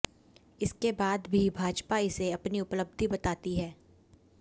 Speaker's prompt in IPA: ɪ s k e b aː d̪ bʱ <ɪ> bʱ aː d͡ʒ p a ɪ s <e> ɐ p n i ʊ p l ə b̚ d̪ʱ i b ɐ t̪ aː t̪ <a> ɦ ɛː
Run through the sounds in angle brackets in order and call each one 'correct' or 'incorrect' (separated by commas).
incorrect, correct, incorrect